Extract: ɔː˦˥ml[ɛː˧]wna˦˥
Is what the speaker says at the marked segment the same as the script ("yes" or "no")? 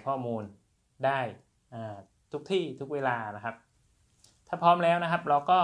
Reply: no